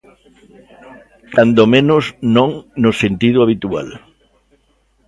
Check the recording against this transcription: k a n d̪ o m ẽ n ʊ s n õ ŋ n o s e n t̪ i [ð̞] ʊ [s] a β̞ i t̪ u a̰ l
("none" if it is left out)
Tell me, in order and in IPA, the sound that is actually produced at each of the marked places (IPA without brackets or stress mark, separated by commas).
ð̞, none